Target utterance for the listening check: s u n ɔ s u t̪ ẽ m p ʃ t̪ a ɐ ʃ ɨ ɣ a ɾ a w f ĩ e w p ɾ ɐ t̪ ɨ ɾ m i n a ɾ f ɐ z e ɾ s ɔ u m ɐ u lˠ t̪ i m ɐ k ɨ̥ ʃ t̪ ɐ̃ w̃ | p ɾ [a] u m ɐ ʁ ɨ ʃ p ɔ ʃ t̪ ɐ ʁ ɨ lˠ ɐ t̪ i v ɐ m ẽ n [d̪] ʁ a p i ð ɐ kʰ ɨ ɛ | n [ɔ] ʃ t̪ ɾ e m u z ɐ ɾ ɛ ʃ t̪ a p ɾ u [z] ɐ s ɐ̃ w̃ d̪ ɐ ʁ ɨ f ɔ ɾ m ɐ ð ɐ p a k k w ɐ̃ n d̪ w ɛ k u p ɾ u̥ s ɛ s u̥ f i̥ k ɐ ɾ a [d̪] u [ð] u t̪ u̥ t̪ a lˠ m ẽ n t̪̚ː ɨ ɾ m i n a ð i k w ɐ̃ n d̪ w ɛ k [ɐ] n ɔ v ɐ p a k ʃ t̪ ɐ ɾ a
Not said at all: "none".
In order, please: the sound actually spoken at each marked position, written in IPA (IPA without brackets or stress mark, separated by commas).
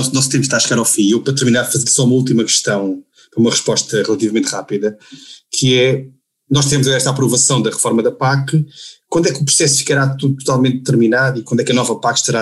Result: ɐ, t̪, ɔ, v, t̪, ð, ɐ